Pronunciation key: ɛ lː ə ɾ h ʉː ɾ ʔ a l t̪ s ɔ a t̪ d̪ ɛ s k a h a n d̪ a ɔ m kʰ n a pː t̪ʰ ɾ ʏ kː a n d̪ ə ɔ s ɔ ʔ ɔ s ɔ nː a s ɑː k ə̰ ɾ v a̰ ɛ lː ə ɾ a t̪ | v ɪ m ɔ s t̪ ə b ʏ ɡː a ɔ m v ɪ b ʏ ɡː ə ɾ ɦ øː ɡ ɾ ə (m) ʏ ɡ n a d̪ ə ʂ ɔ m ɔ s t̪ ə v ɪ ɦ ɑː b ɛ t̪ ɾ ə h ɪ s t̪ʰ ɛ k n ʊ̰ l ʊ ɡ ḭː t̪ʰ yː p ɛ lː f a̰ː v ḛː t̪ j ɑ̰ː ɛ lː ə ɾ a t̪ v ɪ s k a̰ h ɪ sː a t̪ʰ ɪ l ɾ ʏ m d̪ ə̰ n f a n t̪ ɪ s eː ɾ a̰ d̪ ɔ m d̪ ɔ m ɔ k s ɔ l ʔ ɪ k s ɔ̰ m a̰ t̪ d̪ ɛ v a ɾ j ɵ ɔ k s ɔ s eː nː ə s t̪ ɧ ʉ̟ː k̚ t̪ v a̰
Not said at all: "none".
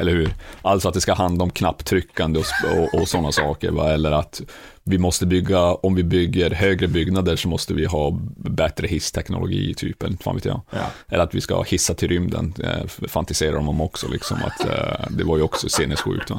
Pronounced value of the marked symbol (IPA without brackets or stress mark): b